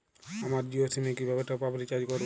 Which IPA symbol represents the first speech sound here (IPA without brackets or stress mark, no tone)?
a